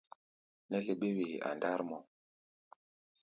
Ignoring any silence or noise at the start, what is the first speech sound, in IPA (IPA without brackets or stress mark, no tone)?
n